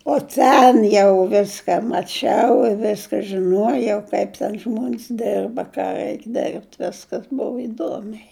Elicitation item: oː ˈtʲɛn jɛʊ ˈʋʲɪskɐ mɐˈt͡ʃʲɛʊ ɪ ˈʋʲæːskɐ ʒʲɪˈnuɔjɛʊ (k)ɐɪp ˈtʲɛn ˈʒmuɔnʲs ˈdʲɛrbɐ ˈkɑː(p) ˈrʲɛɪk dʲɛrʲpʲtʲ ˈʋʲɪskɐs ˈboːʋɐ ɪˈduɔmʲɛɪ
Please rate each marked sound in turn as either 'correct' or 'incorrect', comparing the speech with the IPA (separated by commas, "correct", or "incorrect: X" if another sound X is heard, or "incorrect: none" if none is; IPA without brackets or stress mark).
correct, incorrect: none